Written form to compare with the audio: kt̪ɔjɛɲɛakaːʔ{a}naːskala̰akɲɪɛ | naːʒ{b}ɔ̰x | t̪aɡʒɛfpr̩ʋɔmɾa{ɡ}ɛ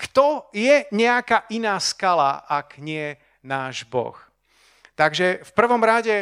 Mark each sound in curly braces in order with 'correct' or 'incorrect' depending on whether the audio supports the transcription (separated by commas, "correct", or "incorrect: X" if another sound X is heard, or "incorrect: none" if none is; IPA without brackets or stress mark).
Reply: incorrect: i, correct, incorrect: ɟ